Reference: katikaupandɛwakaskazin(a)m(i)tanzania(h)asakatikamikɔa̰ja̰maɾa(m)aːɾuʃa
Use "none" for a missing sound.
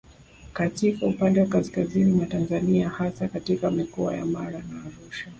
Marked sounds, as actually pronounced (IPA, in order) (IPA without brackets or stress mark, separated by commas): i, a, h, n